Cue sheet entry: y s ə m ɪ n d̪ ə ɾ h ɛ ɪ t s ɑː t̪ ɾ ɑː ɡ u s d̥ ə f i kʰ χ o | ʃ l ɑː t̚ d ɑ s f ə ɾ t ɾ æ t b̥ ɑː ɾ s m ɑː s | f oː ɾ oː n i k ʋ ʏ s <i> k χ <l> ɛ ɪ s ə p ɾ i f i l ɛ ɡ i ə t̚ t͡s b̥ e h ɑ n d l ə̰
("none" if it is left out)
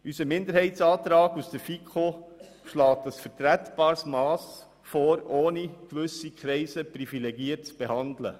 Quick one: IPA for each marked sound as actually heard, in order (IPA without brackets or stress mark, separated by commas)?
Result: i, ɾ